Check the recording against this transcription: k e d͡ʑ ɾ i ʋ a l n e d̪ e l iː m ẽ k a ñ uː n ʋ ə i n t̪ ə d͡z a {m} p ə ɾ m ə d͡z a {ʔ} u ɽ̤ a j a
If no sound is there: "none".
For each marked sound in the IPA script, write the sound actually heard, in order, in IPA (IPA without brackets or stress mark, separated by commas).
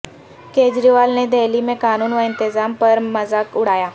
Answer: m, k